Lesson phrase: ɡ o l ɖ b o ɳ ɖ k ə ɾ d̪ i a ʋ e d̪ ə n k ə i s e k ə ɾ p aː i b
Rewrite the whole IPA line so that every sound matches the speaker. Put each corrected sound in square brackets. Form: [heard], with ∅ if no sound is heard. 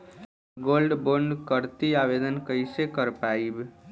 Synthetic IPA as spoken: ɡ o l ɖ b o ɳ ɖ k ə ɾ [t̪] i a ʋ e d̪ ə n k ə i s e k ə ɾ p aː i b